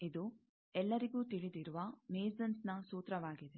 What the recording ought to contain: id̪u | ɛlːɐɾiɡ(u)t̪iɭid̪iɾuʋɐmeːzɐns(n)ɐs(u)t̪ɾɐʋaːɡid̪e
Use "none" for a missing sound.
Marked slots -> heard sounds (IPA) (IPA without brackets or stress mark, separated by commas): uː, n, uː